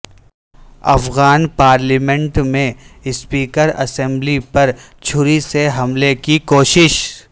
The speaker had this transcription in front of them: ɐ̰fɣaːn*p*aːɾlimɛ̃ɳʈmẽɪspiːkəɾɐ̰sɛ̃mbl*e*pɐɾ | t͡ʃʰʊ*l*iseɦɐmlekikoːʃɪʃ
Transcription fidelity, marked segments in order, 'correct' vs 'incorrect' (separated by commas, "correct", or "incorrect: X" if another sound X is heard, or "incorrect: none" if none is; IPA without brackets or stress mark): correct, incorrect: i, incorrect: ɾ